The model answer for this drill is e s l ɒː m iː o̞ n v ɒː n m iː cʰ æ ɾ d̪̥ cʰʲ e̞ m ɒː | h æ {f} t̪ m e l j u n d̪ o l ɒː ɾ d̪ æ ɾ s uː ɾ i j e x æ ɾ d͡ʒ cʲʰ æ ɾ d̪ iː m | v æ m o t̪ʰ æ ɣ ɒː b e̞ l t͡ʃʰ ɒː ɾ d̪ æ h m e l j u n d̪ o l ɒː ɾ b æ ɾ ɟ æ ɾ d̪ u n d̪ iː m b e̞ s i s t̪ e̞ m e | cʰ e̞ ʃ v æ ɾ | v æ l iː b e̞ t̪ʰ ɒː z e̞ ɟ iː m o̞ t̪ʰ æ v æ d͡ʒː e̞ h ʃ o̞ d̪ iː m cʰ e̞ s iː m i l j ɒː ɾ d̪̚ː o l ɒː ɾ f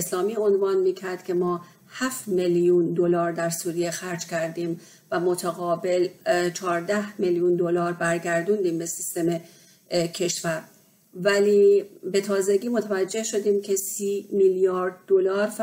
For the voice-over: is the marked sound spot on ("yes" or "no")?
yes